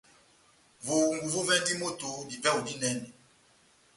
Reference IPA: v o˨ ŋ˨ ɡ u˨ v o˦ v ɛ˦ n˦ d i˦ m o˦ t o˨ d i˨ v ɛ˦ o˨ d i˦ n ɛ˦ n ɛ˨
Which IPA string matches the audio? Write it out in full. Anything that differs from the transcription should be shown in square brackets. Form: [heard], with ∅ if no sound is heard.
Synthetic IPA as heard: v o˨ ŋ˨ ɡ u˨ v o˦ v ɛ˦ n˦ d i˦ m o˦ t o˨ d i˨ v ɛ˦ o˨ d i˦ n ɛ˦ n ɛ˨